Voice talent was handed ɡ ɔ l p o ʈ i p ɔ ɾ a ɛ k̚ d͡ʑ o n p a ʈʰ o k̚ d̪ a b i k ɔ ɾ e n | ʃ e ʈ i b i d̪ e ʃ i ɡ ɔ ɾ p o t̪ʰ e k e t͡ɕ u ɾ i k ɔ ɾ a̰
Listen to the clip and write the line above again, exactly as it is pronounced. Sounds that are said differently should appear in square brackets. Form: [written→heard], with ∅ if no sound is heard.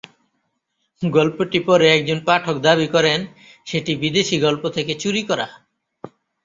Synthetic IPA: ɡ ɔ l p o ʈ i p ɔ ɾ [a→e] ɛ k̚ d͡ʑ o n p a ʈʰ o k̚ d̪ a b i k ɔ ɾ e n | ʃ e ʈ i b i d̪ e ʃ i ɡ ɔ [ɾ→l] p o t̪ʰ e k e t͡ɕ u ɾ i k ɔ ɾ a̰